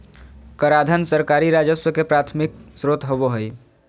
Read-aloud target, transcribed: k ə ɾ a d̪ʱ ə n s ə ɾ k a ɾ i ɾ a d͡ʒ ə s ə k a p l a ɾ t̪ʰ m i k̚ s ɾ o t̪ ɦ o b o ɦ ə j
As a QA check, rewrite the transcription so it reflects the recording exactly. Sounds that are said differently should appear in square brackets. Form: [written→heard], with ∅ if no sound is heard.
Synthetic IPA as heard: k ə ɾ a d̪ʱ ə n s ə ɾ k a ɾ i ɾ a d͡ʒ ə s ə k [a→e] p [l→ɾ] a [ɾ→∅] t̪ʰ m i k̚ s ɾ o t̪ ɦ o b o ɦ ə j